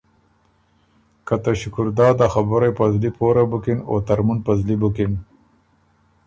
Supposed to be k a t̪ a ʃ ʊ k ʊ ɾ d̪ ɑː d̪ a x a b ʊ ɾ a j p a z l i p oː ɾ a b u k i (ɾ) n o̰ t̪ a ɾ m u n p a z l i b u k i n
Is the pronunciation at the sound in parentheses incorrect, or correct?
incorrect